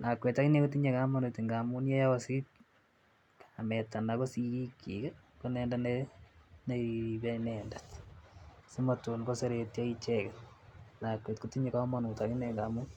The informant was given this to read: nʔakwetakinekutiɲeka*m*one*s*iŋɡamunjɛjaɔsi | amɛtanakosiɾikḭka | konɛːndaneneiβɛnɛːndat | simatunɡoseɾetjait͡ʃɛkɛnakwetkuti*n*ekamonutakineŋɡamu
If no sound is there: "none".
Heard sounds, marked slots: m, t, ɲ

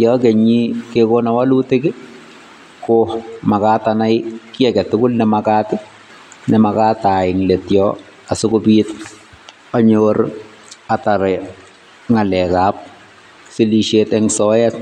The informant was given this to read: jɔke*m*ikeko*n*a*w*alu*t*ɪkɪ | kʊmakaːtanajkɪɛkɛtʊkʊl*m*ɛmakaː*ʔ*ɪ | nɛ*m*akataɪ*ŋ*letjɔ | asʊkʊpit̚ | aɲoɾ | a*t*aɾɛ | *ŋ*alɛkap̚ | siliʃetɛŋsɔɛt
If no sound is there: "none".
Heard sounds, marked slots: ɲ, n, w, t, n, t, m, ŋ, t, ŋ

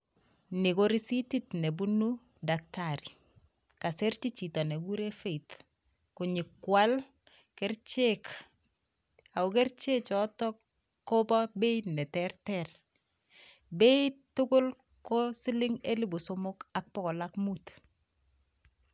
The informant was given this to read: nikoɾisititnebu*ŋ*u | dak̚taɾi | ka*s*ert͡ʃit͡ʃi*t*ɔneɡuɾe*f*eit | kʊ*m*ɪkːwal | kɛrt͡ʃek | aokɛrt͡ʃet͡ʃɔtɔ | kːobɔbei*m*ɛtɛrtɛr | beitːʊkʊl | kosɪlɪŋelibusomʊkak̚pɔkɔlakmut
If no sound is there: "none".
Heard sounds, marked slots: n, s, t, f, ɲ, n

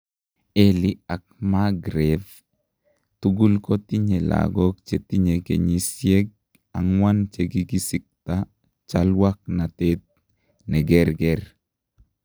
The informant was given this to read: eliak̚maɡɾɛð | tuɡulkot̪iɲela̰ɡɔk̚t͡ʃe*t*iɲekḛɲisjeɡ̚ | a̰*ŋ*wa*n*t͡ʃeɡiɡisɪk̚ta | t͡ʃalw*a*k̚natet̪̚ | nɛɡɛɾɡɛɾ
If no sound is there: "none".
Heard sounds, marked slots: t, ŋ, n, a

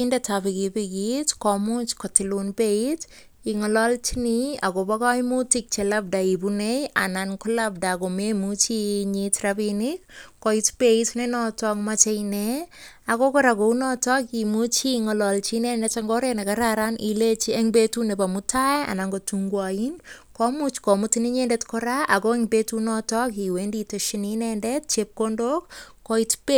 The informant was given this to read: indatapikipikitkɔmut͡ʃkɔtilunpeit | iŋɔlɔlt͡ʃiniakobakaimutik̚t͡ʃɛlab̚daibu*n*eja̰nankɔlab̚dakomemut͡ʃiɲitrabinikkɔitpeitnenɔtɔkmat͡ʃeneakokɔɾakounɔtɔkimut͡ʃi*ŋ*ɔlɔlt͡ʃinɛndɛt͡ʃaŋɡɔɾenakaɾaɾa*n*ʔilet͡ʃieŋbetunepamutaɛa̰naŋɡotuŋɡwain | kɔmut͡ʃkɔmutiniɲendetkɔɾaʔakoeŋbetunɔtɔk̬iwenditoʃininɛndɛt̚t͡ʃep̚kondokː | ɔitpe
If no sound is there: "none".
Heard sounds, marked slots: n, ŋ, n

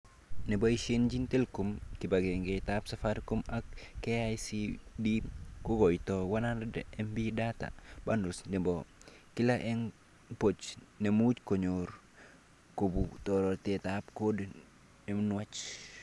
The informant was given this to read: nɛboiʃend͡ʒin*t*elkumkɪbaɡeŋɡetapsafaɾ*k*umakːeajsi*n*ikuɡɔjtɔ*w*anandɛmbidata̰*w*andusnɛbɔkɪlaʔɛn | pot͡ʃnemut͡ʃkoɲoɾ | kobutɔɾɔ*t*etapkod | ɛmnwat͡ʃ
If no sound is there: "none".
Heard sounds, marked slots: t, k, d, w, b, t

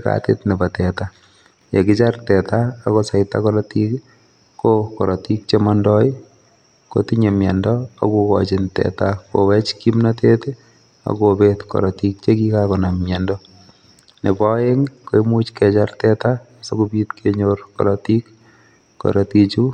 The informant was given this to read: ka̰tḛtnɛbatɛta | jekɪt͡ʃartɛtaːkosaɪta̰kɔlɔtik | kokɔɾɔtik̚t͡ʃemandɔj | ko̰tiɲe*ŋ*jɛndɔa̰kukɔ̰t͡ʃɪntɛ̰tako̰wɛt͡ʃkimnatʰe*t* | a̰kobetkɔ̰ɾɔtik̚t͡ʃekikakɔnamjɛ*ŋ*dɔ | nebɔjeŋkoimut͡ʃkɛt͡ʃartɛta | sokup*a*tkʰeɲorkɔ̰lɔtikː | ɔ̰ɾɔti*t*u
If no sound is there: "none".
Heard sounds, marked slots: m, t, n, i, t͡ʃ

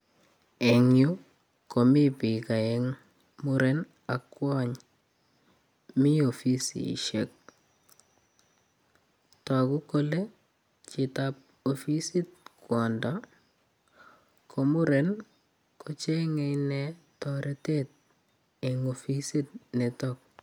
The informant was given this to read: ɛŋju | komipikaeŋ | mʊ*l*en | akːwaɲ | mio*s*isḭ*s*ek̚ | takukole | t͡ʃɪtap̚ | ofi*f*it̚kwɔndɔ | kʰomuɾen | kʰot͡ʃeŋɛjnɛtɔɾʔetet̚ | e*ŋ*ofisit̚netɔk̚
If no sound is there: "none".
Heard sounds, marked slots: ɾ, f, ʃ, s, ŋ

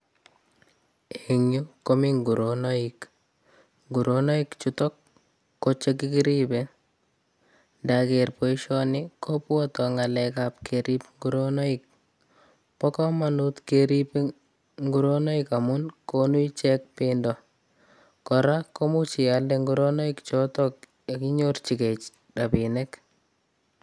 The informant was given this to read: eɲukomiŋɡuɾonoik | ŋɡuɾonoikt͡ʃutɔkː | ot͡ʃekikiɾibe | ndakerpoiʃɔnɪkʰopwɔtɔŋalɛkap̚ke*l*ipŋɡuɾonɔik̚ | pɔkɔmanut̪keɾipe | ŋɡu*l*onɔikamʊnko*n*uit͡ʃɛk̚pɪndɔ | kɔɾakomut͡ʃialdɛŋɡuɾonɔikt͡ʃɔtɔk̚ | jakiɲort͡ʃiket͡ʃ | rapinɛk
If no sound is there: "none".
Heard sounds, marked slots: ɾ, ɾ, n

